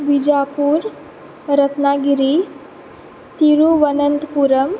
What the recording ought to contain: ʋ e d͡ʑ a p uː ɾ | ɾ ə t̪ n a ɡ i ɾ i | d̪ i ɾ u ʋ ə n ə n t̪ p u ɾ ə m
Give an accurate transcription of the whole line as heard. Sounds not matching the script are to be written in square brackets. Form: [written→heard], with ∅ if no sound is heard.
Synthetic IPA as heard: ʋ [e→i] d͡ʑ a p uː ɾ | ɾ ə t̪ n a ɡ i ɾ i | [d̪→t̪] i ɾ u ʋ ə n ə n t̪ p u ɾ ə m